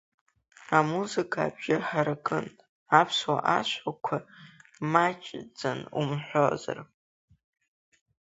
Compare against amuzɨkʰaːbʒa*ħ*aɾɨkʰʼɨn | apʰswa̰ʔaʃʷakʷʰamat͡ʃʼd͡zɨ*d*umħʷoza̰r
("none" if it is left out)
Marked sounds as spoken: ħ, n

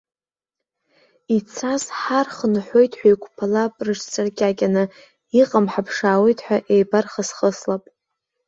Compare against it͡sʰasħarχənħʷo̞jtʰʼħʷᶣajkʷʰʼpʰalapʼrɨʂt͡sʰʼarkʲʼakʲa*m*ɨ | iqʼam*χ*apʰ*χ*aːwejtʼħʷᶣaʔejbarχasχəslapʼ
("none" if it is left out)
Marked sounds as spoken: n, ħ, ʂ

